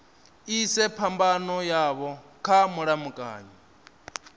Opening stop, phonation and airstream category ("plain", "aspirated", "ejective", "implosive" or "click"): aspirated